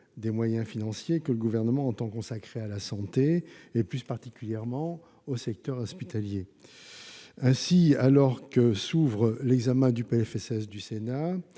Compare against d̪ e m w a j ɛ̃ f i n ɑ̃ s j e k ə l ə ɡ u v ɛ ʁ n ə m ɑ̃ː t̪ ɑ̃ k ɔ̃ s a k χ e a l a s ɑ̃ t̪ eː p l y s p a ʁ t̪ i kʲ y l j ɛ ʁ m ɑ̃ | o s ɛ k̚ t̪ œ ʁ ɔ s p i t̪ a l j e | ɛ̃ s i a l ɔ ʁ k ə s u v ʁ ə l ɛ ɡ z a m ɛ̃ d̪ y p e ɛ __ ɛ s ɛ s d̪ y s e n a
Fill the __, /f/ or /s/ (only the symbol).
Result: f